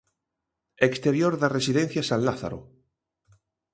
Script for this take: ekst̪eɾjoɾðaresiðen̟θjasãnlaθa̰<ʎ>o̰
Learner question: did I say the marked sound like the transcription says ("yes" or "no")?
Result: no